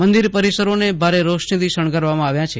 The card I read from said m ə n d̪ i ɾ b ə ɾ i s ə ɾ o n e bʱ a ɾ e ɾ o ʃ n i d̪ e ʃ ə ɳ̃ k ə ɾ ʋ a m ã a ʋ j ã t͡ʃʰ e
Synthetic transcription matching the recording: m ə n d̪ i ɾ p ə ɾ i s ə ɾ o n e bʱ a ɾ e ɾ o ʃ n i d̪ i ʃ ə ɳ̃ k ə ɾ ʋ a m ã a ʋ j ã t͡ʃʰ e